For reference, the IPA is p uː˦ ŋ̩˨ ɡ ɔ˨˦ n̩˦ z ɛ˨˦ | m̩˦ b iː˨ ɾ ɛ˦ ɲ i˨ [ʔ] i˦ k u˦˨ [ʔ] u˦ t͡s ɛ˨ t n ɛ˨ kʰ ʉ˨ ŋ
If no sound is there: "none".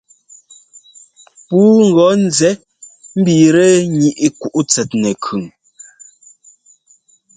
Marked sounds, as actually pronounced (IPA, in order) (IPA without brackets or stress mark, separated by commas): ʔ, ʔ